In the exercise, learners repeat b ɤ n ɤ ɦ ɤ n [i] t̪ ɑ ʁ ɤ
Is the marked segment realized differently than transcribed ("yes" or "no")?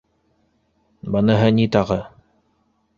no